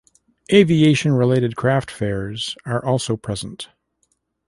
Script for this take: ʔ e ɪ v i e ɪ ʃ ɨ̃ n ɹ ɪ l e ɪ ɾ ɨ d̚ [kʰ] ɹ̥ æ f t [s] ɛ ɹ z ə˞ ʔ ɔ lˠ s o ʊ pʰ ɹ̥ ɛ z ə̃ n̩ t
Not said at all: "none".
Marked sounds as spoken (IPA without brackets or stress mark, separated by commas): kʰ, f